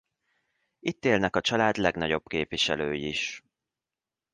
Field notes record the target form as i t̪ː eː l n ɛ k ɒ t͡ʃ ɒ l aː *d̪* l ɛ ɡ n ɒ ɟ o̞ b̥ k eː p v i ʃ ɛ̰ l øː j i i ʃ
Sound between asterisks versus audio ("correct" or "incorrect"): correct